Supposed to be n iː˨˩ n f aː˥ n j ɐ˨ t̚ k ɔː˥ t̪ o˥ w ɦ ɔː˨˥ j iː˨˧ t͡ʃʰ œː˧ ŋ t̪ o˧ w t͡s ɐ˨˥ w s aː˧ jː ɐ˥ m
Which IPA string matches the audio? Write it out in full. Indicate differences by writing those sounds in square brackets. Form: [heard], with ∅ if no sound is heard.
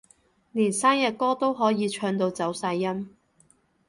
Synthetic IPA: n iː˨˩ n [s] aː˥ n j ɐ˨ t̚ k ɔː˥ t̪ o˥ w ɦ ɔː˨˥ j iː˨˧ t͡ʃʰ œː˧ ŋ t̪ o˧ w t͡s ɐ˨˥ w s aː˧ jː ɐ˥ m